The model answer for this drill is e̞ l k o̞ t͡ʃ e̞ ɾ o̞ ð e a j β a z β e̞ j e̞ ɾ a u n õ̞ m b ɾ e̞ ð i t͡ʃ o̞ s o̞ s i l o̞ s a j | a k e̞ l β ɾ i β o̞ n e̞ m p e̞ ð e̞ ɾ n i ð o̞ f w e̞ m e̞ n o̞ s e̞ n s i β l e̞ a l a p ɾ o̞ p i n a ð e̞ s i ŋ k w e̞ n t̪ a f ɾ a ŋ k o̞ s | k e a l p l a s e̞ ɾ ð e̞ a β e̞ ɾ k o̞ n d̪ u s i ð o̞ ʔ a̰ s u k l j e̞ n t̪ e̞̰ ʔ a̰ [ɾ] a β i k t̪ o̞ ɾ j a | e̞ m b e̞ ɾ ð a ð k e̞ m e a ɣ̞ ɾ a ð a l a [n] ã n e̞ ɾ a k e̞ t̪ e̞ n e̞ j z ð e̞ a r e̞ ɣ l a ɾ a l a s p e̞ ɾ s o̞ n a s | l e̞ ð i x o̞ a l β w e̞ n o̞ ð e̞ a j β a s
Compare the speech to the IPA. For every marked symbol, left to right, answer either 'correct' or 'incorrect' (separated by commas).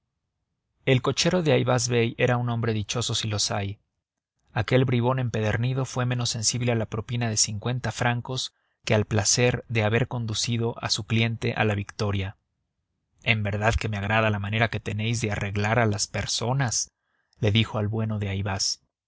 incorrect, incorrect